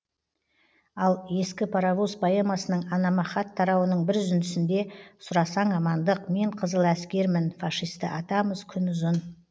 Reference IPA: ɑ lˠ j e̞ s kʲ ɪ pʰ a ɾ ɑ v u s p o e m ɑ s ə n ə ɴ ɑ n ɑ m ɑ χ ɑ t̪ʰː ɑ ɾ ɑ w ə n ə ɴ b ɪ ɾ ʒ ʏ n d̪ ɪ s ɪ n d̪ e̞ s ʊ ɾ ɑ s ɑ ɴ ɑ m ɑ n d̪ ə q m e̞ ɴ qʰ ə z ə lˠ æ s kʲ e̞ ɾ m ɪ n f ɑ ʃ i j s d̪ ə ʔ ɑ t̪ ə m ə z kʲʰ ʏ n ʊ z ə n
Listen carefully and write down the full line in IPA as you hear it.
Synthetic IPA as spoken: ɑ lˠ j e̞ s kʲ ɪ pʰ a ɾ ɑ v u s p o e m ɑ s ə n ə ɴ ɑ n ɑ m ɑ χ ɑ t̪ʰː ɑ ɾ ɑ w ə n ə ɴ b ɪ ɾ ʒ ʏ n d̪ ɪ s ɪ n d̪ e̞ s ʊ ɾ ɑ s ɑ ɴ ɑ m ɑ n d̪ ə q m e̞ ɴ qʰ ə z ə lˠ æ s kʲ e̞ ɾ m ɪ n f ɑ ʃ i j s t̪ ə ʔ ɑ t̪ ɑ m ə z kʲʰ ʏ n ʊ z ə n